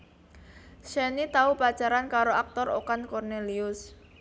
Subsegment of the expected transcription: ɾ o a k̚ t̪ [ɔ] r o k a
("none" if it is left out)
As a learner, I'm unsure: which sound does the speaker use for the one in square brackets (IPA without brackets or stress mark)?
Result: ɔ